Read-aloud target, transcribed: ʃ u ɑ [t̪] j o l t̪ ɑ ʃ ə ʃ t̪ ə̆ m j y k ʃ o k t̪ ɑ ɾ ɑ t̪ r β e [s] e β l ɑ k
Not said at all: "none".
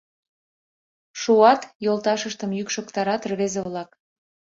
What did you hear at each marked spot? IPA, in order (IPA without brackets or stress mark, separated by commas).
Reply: t̪, z